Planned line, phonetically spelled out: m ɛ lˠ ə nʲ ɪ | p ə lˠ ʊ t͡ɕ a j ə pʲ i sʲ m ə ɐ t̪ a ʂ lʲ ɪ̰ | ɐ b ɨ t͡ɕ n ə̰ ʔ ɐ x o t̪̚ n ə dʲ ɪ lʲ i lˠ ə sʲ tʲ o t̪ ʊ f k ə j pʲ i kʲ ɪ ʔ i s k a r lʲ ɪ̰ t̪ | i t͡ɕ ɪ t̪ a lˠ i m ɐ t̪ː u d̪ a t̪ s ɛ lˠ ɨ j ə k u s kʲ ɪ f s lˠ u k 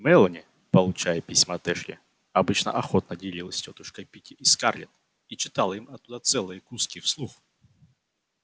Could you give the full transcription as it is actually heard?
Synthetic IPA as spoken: m ɛ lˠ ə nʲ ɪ | p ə lˠ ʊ t͡ɕ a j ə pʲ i sʲ m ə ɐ t̪ ɛ ʂ lʲ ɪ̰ | ɐ b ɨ t͡ɕ n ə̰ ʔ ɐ x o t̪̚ n ə dʲ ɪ lʲ i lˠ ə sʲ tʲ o t̪ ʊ ʂ k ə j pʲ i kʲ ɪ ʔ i s k a r lʲ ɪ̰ t̪ | i t͡ɕ ɪ t̪ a lˠ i m ɐ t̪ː u d̪ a t̪ s ɛ lˠ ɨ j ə k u s kʲ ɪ f s lˠ u x